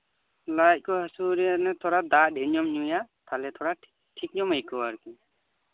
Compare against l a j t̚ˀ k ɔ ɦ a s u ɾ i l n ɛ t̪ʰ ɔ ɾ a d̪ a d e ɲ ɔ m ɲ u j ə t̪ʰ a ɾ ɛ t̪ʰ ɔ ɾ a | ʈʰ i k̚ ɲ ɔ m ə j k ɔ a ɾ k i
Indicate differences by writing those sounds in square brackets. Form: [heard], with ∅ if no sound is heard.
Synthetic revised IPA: l a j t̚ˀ k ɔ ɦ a s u ɾ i [∅] n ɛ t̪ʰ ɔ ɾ a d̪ a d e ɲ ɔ m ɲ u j [a] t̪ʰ a [l] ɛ t̪ʰ ɔ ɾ a | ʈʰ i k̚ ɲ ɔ m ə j k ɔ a ɾ k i